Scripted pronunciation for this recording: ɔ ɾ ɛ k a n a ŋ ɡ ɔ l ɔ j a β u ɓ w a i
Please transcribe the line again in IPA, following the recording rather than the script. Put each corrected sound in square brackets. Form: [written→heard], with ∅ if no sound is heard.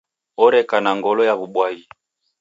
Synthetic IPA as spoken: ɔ ɾ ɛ k a n a ŋ ɡ ɔ l ɔ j a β u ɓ w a i